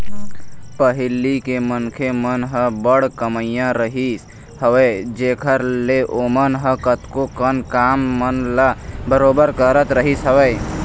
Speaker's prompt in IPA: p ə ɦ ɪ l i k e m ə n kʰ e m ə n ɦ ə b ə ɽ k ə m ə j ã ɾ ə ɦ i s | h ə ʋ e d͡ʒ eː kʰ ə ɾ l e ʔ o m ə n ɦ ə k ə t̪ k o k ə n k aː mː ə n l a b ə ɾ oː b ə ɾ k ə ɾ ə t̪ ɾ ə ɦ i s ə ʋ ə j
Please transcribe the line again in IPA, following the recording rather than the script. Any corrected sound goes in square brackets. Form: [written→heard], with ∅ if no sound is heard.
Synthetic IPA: p ə ɦ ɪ l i k e m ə n kʰ e m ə n ɦ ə b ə ɽ k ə m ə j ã ɾ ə ɦ i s | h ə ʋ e d͡ʒ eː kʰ ə ɾ l e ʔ o m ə n ɦ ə k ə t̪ k o k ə n k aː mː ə n l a b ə ɾ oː b ə ɾ k ə ɾ ə t̪ ɾ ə ɦ i s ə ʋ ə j